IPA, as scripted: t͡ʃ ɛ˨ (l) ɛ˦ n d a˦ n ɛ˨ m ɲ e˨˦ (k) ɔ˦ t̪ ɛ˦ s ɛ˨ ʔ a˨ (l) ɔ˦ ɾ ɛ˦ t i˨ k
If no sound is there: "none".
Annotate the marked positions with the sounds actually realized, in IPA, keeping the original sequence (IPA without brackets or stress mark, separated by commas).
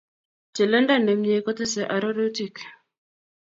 l, k, ɾ